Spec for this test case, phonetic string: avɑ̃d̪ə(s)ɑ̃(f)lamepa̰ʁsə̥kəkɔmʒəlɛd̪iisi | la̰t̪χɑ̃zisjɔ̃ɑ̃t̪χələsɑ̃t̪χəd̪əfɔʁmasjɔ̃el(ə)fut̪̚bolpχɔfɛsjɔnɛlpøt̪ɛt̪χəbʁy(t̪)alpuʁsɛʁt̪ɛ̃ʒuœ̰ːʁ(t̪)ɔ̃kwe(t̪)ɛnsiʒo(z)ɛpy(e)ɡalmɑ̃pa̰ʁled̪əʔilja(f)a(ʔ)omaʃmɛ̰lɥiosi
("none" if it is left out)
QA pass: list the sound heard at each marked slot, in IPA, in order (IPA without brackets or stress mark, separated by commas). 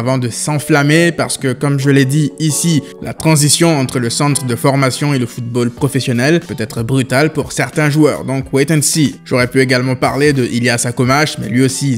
s, f, ə, t̪, d̪, t̪, ʁ, e, s, k